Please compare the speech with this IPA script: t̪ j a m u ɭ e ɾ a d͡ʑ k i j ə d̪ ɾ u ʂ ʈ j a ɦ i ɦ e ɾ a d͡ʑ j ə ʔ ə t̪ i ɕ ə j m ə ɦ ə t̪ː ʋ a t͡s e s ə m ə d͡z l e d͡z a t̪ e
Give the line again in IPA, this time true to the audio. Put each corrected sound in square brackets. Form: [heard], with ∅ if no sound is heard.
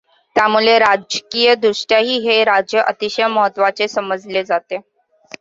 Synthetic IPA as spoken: t̪ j a m u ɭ e ɾ a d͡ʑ k i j ə d̪ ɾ u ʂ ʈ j a ɦ [iː] ɦ e ɾ a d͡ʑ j ə ʔ ə t̪ i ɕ ə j m ə ɦ ə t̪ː ʋ a t͡s e s ə m ə d͡z l e d͡z a t̪ e